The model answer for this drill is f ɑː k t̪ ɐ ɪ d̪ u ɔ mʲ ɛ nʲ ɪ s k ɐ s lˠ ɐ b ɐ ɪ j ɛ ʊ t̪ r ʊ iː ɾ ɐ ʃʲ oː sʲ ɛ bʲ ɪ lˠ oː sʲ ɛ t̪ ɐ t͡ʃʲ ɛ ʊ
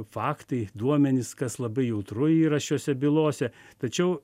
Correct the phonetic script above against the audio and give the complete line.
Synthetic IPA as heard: f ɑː k t̪ ɐ ɪ d̪ u ɔ mʲ ɛ nʲ ɪ s k ɐ s lˠ ɐ b ɐ ɪ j ɛ ʊ t̪ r ʊ iː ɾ ɐ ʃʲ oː sʲ ɛ bʲ ɪ lˠ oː sʲ ɛ t̪ ɐ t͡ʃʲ ɛ ʊ

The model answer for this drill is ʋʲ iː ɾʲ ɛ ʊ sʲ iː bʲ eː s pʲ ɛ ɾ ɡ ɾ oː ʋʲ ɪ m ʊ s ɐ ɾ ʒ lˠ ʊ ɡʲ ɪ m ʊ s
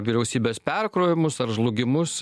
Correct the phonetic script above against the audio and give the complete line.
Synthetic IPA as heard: ʋʲ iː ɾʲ ɛ ʊ sʲ iː bʲ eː s pʲ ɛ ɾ k ɾ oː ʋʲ ɪ m ʊ s ɐ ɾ ʒ lˠ ʊ ɡʲ ɪ m ʊ s

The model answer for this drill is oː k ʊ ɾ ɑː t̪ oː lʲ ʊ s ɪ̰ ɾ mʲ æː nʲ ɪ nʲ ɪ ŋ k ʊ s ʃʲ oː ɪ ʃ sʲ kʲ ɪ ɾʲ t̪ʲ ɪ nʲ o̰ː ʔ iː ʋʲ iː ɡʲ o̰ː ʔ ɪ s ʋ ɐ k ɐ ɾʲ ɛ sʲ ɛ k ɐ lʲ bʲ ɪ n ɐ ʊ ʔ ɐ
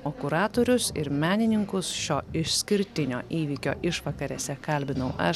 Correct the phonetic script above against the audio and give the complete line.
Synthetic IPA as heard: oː k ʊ ɾ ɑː t̪ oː ɾʲ ʊ s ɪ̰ ɾ mʲ æː nʲ ɪ nʲ ɪ ŋ k ʊ s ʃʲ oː ɪ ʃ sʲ kʲ ɪ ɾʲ t̪ʲ ɪ nʲ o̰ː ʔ iː ʋʲ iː kʲ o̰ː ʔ ɪ ʃ ʋ ɐ k ɐ ɾʲ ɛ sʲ ɛ k ɐ lʲ bʲ ɪ n ɐ ʊ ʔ ɐ

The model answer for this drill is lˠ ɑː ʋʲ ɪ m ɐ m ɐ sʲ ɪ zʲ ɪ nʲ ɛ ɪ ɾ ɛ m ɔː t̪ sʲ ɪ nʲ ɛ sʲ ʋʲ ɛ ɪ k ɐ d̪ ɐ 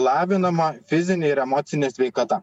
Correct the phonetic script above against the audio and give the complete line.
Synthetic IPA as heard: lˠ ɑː ʋʲ ɪ n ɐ m ɐ fʲ ɪ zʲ ɪ nʲ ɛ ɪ ɾ ɛ m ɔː t̪ sʲ ɪ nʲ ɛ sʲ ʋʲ ɛ ɪ k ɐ t̪ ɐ

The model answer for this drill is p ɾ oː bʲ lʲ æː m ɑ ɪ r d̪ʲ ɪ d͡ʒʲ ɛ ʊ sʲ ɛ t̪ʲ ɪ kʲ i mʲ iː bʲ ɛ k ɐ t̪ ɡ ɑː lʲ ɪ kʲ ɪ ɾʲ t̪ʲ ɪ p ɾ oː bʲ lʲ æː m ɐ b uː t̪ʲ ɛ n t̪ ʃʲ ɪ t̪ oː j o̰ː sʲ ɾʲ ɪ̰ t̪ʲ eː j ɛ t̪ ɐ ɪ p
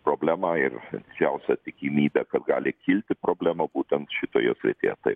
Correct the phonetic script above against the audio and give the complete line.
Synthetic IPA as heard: p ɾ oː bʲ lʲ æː m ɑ ɪ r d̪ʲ ɪ d͡ʒʲ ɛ ʊ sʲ ɛ t̪ʲ ɪ kʲ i mʲ iː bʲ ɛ k ɐ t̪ ɡ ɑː lʲ ɪ kʲ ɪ lʲ t̪ʲ ɪ p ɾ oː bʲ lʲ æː m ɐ b uː t̪ʲ ɛ n t̪ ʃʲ ɪ t̪ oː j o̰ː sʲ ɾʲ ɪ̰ t̪ʲ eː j ɛ t̪ ɐ ɪ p

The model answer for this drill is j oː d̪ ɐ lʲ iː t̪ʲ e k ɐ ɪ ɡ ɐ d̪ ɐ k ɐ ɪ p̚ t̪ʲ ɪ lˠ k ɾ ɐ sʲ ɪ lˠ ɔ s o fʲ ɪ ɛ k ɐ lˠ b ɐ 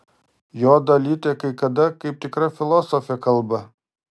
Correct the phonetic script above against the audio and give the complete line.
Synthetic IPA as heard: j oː d̪ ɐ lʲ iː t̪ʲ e k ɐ ɪ k ɐ d̪ ɐ k ɐ ɪ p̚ t̪ʲ ɪ k ɾ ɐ fʲ ɪ lˠ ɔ s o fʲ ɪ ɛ k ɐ lˠ b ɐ

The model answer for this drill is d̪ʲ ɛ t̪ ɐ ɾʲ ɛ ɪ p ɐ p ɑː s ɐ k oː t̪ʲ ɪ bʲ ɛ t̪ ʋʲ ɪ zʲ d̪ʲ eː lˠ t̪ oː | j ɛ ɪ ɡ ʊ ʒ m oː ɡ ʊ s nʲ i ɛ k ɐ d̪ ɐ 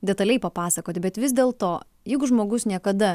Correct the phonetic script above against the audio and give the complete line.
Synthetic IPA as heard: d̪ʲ ɛ t̪ ɐ lʲ ɛ ɪ p ɐ p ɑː s ɐ k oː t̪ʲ ɪ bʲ ɛ t̪ ʋʲ ɪ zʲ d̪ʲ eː lˠ t̪ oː | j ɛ ɪ ɡ ʊ ʒ m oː ɡ ʊ s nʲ i ɛ k ɐ d̪ ɐ

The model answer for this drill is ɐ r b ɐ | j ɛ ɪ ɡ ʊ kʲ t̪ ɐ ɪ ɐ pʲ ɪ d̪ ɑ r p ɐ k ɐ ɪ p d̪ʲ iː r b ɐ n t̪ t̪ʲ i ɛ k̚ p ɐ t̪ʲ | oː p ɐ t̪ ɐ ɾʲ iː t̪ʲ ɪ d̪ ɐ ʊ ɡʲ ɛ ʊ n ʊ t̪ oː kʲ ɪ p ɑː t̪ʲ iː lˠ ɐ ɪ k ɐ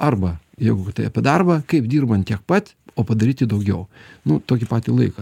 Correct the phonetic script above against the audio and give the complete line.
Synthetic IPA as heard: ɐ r b ɐ | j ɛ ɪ ɡ ʊ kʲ t̪ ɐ ɪ ɐ pʲ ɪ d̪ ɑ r b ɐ k ɐ ɪ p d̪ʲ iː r b ɐ n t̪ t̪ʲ i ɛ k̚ p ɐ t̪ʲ | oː p ɐ d̪ ɐ ɾʲ iː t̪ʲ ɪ d̪ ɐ ʊ ɡʲ ɛ ʊ n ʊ t̪ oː kʲ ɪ p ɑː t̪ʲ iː lˠ ɐ ɪ k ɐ

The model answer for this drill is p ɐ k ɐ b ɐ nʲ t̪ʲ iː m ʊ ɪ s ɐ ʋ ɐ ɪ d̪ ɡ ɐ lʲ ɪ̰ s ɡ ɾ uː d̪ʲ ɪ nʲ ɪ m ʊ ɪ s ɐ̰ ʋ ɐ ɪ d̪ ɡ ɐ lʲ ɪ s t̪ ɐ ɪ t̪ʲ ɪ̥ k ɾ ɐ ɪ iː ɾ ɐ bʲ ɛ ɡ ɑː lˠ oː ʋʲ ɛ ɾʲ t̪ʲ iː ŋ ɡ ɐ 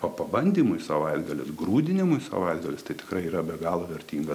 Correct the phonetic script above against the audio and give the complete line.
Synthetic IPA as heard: p ɐ p ɐ b ɐ nʲ d̪ʲ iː m ʊ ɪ s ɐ ʋ ɐ ɪ d̪ ɡ ɐ lʲ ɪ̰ s ɡ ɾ uː d̪ʲ ɪ nʲ ɪ m ʊ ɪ s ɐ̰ ʋ ɐ ɪ d̪ ɡ ɐ lʲ ɪ s t̪ ɐ ɪ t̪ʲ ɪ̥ k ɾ ɐ ɪ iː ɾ ɐ bʲ ɛ ɡ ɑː lˠ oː ʋʲ ɛ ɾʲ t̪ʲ iː ŋ ɡ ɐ

